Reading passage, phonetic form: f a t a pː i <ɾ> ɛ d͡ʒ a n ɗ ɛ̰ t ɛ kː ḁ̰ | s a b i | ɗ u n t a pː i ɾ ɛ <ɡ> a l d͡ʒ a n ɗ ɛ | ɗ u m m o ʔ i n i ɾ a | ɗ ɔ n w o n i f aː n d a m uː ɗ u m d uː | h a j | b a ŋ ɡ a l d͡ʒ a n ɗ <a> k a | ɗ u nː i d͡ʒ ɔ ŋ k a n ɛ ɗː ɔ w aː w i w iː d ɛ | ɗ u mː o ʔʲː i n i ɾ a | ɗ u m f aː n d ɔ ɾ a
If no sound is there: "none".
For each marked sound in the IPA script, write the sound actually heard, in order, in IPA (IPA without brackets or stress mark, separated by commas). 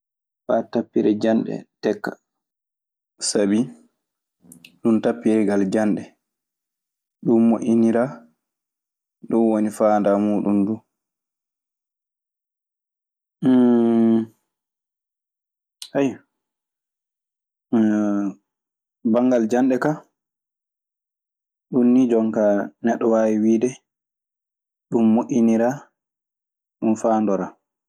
ɾ, ɡ, ɛ